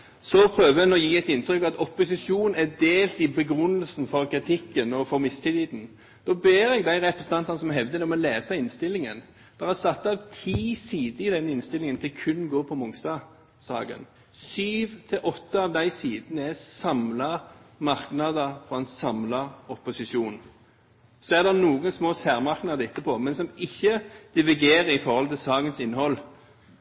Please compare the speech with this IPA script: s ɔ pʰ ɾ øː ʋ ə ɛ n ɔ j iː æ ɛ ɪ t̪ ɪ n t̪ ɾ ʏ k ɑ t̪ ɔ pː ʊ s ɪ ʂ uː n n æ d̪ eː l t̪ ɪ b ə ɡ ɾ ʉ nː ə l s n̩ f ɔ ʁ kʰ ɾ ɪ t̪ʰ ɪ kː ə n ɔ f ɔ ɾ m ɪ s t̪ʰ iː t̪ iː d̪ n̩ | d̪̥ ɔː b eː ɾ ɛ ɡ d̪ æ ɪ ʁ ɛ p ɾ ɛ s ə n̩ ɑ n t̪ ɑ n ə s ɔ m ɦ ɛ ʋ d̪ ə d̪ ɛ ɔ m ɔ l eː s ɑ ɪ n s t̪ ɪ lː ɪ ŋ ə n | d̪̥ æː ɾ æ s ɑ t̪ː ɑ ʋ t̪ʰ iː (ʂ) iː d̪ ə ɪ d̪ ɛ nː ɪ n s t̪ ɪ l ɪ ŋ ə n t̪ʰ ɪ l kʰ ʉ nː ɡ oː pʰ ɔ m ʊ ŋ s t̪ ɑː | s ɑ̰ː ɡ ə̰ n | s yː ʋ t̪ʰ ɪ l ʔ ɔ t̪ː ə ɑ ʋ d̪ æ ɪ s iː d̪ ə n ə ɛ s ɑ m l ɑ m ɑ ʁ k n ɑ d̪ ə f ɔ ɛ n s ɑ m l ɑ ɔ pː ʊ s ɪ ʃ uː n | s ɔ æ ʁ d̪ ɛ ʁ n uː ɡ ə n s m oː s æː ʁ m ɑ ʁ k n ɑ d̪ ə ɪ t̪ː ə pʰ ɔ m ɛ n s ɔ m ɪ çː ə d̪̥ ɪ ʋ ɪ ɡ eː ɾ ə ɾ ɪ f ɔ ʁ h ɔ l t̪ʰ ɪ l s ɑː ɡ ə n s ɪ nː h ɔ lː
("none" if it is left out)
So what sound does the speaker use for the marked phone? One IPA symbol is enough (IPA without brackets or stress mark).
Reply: s